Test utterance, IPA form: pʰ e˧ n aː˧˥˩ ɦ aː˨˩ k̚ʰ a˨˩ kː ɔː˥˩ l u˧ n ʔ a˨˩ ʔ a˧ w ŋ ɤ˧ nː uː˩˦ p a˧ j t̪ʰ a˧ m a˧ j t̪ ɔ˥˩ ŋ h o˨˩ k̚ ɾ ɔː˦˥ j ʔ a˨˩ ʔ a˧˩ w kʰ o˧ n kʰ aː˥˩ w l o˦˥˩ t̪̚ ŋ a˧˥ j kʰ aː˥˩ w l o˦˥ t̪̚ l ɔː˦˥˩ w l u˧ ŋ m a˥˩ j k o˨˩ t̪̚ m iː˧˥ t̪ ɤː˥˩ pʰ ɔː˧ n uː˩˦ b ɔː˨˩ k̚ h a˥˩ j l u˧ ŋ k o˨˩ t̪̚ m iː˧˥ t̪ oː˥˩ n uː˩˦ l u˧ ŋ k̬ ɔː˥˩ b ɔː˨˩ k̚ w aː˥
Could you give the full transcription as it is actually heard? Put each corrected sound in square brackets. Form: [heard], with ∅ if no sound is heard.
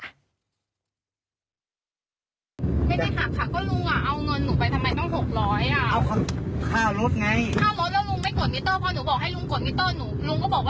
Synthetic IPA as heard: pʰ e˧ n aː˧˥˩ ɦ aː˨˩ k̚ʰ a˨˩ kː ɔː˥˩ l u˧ [ŋ] ʔ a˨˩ ʔ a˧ w ŋ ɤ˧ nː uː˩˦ p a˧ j t̪ʰ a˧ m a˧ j t̪ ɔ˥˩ ŋ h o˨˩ k̚ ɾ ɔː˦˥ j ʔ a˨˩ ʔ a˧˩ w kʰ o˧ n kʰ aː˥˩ w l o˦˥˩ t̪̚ ŋ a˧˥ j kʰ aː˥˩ w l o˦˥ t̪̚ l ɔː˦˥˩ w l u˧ ŋ m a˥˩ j k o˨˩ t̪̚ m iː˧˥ t̪ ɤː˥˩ pʰ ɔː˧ n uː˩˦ b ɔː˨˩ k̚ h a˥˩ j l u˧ ŋ k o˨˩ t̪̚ m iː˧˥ t̪ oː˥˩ n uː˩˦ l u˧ ŋ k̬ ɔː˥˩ b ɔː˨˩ k̚ w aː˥